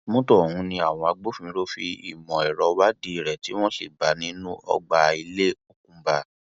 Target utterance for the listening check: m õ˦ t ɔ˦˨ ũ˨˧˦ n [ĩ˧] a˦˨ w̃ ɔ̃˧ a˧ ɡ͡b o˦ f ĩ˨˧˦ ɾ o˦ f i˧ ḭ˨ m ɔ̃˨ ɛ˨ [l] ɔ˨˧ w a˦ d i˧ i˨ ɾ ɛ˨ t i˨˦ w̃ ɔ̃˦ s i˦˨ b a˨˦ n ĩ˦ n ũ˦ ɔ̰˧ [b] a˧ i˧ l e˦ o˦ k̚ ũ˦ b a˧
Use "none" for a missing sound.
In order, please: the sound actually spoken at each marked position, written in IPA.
ĩ˧, ɾ, ɡ͡b

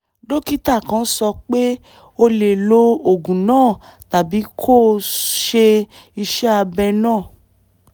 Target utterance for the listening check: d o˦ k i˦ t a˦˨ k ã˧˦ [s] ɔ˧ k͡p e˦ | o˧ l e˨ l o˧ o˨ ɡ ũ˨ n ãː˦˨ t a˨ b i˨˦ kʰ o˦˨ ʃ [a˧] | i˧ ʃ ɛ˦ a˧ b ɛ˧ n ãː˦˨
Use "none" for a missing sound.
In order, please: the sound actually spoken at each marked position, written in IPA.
s, e˧

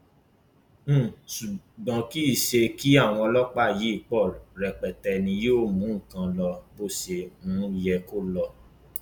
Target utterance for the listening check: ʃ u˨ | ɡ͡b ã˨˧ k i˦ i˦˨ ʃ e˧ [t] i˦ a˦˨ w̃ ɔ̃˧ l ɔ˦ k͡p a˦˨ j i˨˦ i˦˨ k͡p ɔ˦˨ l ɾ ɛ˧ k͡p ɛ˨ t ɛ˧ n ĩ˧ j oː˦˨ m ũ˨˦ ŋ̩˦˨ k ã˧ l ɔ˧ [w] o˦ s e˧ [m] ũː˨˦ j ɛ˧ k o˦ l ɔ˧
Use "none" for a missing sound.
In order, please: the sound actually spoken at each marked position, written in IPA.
k, b, m

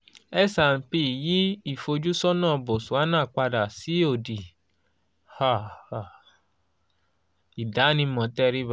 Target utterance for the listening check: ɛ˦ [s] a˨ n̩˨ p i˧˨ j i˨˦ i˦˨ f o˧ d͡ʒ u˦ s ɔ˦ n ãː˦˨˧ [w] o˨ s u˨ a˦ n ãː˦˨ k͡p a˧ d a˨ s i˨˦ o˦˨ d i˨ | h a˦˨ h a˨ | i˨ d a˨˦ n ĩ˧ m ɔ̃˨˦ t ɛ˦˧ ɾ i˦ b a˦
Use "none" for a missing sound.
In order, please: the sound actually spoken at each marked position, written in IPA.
s, b

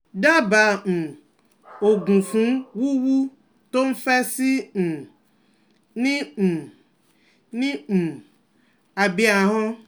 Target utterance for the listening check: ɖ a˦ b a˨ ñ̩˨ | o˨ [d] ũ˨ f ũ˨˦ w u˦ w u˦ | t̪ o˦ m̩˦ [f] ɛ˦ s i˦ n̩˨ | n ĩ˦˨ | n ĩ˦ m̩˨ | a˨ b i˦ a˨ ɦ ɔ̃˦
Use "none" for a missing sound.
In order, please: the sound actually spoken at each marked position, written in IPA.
ɡ, f

